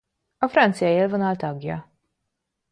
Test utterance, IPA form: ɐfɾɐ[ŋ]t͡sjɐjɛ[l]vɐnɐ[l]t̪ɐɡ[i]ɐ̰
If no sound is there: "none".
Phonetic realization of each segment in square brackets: n, l, l, j

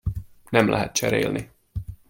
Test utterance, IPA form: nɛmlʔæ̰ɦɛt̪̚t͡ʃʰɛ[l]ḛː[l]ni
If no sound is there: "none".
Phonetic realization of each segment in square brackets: ɾ, l

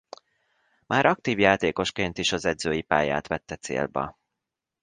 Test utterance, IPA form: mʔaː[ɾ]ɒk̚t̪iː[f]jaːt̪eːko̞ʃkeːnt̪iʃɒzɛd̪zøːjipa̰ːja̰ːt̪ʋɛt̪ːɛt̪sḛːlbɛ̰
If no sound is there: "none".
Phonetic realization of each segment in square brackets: ɾ, v

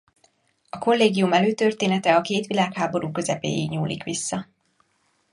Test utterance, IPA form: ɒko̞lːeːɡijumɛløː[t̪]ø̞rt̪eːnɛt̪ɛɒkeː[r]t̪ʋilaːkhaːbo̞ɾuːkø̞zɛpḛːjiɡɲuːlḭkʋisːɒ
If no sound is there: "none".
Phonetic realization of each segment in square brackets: t̪, none

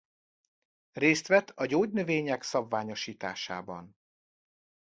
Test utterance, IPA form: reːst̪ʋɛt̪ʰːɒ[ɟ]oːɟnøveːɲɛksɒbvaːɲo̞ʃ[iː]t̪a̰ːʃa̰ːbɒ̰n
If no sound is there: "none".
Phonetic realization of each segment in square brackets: ɟ, iː

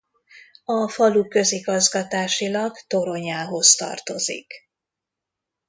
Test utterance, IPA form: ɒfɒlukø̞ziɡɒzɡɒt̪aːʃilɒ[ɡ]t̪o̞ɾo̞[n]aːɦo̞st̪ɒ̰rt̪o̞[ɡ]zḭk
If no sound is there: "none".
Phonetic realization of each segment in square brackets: ɡ, ɲ, none

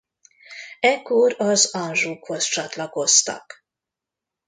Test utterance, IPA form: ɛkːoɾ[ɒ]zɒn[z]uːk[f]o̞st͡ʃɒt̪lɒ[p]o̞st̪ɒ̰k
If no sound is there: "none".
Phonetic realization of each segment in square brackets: ɒ, ʒ, h, k

